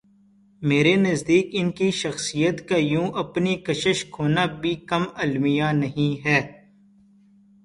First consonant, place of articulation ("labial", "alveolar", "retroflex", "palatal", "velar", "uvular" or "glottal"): labial